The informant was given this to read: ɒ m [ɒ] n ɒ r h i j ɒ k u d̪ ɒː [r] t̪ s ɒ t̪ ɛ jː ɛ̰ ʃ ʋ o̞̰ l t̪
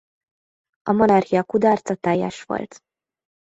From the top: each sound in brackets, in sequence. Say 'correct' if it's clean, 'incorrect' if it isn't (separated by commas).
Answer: incorrect, correct